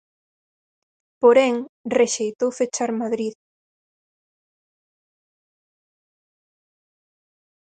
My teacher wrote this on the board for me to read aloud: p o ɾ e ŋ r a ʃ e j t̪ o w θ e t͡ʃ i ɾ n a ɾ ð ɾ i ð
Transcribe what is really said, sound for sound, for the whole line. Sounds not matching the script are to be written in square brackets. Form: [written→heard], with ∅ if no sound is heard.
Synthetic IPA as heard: p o ɾ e ŋ r [a→e] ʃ e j t̪ o w [θ→f] e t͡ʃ [i→a] ɾ [n→m] a [ɾ→∅] ð ɾ i ð